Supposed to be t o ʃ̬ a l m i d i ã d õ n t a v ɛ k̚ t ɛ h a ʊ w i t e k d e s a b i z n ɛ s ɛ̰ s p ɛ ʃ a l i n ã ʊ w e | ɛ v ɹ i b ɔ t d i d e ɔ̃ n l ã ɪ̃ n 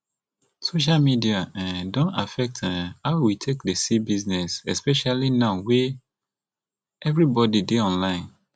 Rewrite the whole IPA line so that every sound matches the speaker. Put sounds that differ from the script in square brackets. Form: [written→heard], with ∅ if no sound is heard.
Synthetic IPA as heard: [t→s] o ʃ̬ a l m i d i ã d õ n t a [v→f] ɛ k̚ t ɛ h a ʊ w i [t→tʰ] e k d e s [a→i] b i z n ɛ s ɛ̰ s p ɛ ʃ a l i n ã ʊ w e | ɛ v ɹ i b ɔ [t→∅] d i d e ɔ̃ n l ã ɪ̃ n